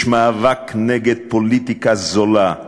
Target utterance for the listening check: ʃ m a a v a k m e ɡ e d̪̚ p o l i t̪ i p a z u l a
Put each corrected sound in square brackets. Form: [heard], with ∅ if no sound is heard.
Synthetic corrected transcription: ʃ m a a v a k [n] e ɡ e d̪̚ p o l i t̪ i [k] a z [o] l a